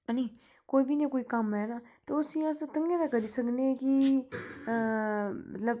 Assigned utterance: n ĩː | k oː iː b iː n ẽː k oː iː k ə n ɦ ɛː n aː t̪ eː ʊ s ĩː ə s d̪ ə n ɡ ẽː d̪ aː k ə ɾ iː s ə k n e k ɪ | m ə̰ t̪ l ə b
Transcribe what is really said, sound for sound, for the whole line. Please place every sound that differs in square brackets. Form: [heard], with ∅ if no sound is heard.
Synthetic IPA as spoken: n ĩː | k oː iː b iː n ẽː k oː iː k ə [m] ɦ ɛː n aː t̪ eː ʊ s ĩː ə s [t̪] ə [ŋ] ɡ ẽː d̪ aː k ə ɾ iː s ə k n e k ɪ | m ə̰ t̪ l ə b